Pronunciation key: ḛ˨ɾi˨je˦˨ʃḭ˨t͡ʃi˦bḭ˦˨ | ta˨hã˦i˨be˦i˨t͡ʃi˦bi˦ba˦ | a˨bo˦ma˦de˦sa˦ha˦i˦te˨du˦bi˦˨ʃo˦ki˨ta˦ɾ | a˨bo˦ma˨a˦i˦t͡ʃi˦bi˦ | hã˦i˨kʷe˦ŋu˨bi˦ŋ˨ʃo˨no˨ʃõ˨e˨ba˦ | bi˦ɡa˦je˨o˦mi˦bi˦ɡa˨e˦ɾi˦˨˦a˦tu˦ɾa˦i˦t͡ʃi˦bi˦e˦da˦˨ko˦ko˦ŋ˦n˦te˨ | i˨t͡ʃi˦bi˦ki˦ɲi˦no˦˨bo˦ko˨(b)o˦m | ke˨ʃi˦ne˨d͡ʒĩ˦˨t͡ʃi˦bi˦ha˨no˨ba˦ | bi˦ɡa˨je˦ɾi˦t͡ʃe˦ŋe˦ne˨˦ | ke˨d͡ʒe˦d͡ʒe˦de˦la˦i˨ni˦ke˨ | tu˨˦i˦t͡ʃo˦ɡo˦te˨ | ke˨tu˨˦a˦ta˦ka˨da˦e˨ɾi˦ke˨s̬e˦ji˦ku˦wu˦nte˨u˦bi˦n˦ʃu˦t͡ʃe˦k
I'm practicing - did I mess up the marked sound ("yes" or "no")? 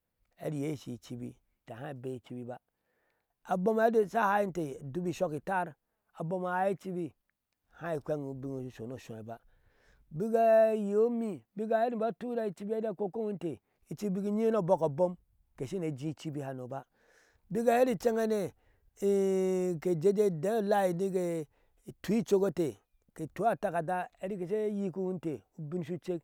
no